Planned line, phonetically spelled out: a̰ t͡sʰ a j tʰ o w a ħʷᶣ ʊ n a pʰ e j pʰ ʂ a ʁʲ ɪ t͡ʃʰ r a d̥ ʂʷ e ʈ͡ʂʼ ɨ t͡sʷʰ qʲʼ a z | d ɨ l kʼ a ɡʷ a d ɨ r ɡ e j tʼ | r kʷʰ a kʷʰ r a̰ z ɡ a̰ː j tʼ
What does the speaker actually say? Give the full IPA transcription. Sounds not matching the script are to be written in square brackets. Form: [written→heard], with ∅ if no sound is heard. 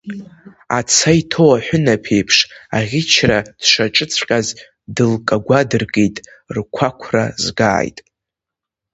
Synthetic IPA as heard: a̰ t͡sʰ a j tʰ o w a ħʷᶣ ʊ n a pʰ e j pʰ ʂ a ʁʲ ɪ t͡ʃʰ r a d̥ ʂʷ [e→a] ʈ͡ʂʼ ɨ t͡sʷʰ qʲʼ a z | d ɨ l kʼ a ɡʷ a d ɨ r ɡ e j tʼ | r kʷʰ a kʷʰ r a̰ z ɡ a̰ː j tʼ